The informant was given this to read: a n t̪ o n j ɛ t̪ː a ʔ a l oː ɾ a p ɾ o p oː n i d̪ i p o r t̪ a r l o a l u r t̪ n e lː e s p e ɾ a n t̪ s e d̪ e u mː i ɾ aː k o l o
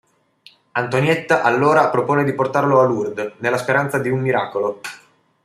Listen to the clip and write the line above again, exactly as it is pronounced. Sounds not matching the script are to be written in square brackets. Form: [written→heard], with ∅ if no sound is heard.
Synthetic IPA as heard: a n t̪ o n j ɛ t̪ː a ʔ a [l→lː] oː ɾ a p ɾ o p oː n [i→e] d̪ i p o r t̪ a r l o a l u r [t̪→d̪] n e lː [e→a] s p e ɾ a n t̪ s [e→a] d̪ [e→i] u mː i ɾ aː k o l o